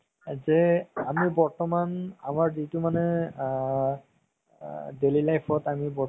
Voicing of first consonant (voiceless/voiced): voiced